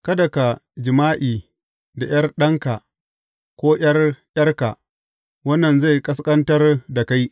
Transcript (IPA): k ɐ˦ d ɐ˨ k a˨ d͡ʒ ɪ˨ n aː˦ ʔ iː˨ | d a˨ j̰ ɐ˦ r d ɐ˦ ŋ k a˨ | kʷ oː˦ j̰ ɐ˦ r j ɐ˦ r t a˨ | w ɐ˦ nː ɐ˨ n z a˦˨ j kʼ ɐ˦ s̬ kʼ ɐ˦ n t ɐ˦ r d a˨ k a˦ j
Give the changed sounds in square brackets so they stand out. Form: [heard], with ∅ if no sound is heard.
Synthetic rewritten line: k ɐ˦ d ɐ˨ k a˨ d͡ʒ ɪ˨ [m] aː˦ ʔ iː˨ | d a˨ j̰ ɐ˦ r [ɗ] ɐ˦ ŋ k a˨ | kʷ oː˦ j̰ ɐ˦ r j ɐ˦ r [k] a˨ | w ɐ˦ nː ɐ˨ n z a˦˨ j kʼ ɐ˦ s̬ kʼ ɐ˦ n t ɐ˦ r d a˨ k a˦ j

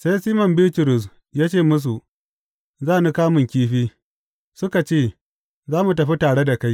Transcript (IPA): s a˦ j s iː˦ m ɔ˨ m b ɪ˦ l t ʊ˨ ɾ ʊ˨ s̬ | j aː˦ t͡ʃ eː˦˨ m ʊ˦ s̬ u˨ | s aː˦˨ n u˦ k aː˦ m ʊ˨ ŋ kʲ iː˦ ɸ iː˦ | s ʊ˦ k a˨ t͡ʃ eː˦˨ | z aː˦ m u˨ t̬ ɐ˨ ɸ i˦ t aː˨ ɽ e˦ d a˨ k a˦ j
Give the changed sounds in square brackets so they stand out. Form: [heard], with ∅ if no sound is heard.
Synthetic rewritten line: s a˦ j s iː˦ m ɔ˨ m b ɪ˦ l t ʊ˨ ɾ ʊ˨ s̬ | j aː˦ t͡ʃ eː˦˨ m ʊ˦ s̬ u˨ | [z] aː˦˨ n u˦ k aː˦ m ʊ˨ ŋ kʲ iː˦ ɸ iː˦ | s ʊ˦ k a˨ t͡ʃ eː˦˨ | z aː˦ m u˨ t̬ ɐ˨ ɸ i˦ t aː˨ ɽ e˦ d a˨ k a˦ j

